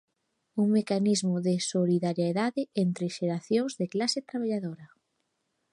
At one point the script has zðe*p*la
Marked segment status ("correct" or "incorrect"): incorrect